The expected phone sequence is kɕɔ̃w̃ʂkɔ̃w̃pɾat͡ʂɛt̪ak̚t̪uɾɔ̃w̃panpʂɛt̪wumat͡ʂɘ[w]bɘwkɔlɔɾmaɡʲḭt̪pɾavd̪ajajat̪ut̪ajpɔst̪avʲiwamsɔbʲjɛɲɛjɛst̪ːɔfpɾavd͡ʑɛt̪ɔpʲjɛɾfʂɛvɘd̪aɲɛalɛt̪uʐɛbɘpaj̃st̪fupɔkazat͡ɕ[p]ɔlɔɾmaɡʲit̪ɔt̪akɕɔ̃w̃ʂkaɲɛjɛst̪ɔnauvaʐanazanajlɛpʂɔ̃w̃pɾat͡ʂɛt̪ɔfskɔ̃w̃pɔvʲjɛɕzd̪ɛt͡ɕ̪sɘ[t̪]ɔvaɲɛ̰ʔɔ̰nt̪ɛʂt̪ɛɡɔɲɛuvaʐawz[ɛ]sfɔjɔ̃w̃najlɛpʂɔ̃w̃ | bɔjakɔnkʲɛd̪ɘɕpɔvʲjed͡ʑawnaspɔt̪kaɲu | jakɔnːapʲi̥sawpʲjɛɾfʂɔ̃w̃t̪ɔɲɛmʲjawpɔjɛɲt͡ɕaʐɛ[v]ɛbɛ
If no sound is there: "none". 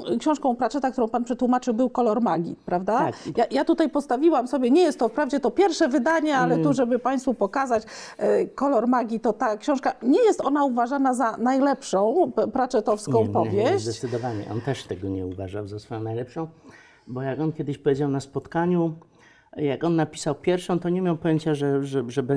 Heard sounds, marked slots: w, k, d̪, a, ʐ

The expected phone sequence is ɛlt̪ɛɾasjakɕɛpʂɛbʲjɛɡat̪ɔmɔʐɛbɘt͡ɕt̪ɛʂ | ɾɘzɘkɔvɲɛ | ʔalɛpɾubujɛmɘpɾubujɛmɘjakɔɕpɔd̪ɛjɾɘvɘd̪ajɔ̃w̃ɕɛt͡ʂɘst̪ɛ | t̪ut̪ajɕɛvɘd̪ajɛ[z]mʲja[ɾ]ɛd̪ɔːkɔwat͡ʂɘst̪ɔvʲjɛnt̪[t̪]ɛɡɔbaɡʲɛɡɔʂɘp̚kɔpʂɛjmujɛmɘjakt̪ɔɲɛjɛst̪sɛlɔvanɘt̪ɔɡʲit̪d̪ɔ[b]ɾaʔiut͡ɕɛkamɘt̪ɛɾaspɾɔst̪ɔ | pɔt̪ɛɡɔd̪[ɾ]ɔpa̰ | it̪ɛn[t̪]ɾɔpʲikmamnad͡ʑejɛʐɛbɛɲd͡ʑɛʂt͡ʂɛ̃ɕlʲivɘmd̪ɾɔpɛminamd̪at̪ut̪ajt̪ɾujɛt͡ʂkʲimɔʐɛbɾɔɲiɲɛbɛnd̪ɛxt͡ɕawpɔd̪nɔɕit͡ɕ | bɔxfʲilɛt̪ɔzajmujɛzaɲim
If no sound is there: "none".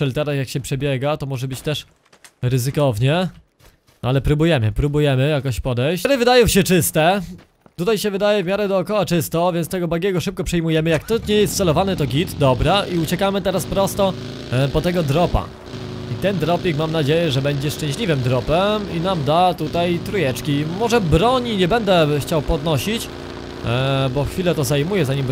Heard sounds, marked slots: v, ɾ, t̪, b, ɾ, d̪

